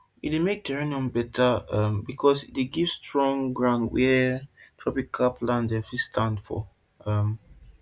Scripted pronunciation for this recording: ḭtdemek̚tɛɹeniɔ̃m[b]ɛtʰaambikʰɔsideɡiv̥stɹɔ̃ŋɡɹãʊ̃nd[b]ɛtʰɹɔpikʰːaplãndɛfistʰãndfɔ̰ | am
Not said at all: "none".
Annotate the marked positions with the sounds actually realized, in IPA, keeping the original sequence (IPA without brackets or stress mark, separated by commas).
b, w